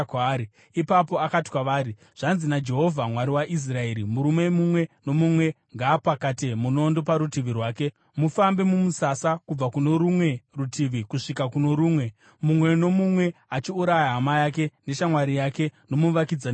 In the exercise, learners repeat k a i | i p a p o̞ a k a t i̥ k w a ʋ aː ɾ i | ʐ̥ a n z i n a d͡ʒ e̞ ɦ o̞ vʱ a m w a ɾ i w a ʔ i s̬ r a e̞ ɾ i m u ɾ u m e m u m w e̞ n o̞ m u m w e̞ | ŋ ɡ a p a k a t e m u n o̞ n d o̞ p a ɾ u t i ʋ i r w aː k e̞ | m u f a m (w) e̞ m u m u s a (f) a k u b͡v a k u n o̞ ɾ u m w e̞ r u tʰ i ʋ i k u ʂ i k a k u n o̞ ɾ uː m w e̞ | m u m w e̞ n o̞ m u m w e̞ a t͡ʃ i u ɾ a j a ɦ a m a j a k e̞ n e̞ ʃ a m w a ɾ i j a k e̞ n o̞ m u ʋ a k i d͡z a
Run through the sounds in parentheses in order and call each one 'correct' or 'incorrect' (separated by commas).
incorrect, incorrect